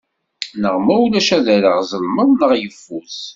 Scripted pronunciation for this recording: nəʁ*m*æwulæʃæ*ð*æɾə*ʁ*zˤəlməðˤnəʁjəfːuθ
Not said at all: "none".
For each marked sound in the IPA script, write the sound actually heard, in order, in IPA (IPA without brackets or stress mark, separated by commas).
m, ð, ʁ